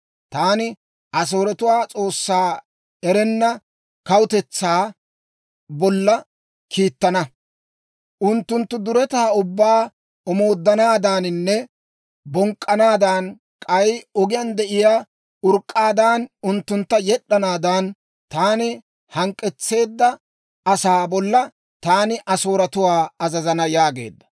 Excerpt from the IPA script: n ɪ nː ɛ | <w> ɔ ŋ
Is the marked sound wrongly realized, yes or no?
yes